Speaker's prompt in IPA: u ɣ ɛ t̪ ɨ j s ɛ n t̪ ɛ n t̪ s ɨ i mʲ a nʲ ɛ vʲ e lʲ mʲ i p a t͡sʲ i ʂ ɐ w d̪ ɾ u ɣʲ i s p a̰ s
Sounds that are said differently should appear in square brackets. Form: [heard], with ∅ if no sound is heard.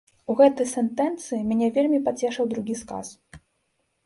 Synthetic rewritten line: u ɣ ɛ t̪ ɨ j s ɛ n t̪ ɛ n t̪ s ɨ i mʲ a nʲ ɛ vʲ e lʲ mʲ i p a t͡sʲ [ɛ] ʂ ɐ w d̪ ɾ u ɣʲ i s [k] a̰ s